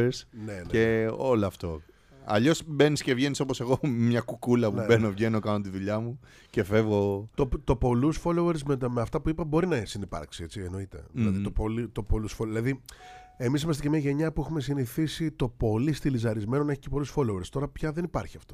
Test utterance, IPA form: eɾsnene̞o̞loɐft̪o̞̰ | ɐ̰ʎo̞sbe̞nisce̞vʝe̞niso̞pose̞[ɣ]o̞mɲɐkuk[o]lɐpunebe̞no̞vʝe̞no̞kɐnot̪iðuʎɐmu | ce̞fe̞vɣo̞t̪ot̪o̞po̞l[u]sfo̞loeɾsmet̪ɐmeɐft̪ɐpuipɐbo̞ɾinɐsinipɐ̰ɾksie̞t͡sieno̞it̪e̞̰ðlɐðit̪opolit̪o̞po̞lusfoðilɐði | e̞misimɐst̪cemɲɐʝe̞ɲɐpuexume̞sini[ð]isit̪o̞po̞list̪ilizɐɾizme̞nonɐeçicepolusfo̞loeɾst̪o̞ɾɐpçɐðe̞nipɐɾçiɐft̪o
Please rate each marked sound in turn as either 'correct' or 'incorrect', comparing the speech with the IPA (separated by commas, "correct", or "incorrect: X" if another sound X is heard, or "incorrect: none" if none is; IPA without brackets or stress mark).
correct, incorrect: u, correct, incorrect: θ